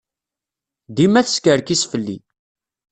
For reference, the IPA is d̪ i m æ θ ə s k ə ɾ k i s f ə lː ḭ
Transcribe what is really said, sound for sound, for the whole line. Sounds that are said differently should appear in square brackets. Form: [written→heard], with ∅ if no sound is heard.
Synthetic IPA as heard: d̪ i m æ θ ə s k ə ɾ k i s f ə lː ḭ